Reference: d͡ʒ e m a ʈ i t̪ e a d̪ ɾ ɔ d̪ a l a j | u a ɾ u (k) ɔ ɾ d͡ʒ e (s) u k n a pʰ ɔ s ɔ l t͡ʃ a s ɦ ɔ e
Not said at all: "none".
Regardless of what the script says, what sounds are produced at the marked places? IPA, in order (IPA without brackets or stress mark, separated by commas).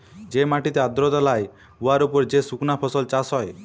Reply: p, s